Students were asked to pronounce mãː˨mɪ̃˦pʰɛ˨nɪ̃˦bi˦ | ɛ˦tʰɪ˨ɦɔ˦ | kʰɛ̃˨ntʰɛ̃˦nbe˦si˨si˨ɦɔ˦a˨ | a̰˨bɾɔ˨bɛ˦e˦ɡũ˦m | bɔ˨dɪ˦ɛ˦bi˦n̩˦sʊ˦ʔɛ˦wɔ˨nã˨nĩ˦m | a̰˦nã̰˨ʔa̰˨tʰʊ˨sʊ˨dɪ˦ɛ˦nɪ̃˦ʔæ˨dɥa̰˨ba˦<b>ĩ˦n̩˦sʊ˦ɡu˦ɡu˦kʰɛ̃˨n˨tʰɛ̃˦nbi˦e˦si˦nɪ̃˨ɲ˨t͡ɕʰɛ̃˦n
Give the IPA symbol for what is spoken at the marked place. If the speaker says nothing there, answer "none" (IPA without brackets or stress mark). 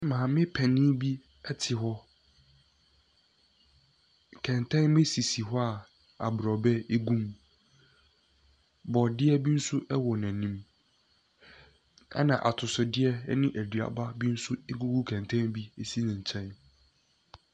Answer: b